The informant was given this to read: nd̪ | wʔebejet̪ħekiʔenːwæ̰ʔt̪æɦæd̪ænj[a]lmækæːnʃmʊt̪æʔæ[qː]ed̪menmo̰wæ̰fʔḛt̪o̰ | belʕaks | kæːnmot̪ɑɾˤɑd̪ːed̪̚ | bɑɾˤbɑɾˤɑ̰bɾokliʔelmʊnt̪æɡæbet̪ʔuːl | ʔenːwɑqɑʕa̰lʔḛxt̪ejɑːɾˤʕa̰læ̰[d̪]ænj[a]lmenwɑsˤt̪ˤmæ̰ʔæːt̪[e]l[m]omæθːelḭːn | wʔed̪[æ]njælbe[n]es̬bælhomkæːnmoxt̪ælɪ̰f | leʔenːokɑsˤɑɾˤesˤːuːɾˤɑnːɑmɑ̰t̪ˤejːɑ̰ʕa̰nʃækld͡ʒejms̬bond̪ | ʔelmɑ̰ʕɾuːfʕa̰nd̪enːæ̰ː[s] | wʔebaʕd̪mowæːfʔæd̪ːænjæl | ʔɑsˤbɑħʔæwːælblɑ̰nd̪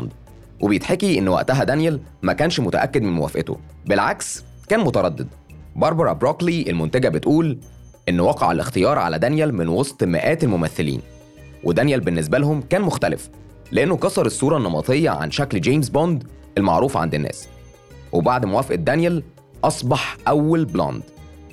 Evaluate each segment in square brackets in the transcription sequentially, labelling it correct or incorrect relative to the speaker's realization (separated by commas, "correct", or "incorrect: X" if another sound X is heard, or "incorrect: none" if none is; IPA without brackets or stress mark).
incorrect: æ, incorrect: kː, correct, incorrect: æ, correct, correct, correct, incorrect: nː, correct